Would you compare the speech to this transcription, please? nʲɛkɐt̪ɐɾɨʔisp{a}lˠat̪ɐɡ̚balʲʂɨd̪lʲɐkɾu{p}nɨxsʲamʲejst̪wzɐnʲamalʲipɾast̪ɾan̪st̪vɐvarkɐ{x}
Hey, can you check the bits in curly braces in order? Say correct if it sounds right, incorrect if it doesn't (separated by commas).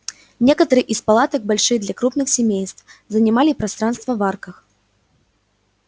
correct, correct, correct